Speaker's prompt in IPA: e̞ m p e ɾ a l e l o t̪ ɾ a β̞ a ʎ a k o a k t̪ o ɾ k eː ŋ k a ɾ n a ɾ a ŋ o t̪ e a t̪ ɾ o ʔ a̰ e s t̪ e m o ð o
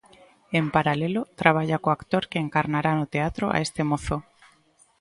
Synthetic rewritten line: e̞ m p a ɾ a l e l o t̪ ɾ a β̞ a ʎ a k o a k t̪ o ɾ k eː ŋ k a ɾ n a ɾ a n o t̪ e a t̪ ɾ o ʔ a̰ e s t̪ e m o θ o